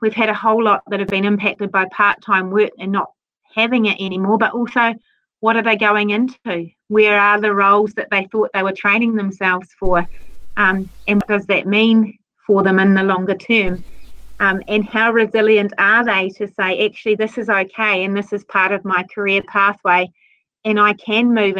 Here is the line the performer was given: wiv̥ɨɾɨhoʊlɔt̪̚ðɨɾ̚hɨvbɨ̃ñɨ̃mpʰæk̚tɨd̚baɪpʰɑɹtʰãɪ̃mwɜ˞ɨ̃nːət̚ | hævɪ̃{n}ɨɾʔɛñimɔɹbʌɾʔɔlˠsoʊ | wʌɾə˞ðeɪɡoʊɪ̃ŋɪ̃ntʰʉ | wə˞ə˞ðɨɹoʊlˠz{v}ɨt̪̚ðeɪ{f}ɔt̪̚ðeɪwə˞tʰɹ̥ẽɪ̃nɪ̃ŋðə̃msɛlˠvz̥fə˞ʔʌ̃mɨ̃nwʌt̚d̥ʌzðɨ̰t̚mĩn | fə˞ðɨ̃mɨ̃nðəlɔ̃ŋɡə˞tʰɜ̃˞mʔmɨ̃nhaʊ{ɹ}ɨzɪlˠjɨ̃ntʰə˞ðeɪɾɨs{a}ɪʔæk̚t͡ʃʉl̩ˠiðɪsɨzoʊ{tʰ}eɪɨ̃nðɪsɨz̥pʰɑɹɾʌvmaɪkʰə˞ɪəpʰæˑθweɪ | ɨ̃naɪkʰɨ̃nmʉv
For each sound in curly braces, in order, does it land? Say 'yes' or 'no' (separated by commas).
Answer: no, no, no, yes, no, no